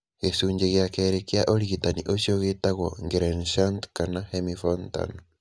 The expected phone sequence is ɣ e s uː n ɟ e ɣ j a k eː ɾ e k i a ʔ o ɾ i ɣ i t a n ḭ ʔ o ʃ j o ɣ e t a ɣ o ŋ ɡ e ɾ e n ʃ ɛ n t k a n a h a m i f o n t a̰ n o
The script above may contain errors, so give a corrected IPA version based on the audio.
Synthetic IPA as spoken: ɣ e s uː ɲ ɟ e ɣ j a k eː ɾ e k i a ʔ o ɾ i ɣ i t a n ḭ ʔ o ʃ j o ɣ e t a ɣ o ŋ ɡ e ɾ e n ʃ a n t k a n a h e m i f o n t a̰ n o